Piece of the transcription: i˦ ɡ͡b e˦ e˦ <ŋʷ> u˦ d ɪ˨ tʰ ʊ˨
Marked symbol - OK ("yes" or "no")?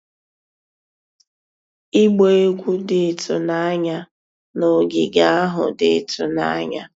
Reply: no